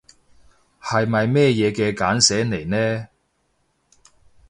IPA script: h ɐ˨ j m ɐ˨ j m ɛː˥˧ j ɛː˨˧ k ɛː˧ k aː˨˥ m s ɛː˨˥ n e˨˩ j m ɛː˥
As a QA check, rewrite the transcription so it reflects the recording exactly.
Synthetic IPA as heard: h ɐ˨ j m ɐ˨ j m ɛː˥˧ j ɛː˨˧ k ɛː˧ k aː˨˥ n s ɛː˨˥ n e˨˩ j n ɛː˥